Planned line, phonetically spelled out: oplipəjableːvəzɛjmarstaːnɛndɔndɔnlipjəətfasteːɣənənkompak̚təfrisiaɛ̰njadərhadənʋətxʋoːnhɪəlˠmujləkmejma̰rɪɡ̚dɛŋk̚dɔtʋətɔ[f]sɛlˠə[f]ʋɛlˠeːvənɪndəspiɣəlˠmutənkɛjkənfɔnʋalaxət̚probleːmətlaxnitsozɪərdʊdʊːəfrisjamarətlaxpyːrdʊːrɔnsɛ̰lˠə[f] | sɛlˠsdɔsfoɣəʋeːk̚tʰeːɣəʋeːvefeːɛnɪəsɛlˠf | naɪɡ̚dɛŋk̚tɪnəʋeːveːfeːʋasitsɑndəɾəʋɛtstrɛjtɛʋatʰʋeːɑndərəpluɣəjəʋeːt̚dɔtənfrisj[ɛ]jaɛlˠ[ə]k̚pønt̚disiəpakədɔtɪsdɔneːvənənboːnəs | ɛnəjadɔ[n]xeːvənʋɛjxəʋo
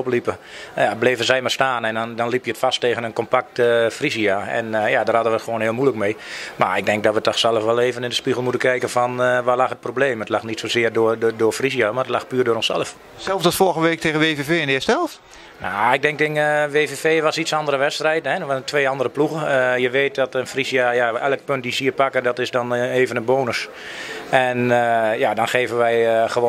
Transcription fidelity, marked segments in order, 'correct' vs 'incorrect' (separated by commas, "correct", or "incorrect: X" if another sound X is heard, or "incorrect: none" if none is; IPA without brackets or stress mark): incorrect: x, correct, correct, incorrect: a, correct, correct